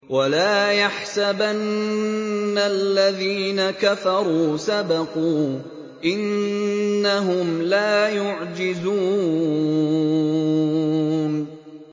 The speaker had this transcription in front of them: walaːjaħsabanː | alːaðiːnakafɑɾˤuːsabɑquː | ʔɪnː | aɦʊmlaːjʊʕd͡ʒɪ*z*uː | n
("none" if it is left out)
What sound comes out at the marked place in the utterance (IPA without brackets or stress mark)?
z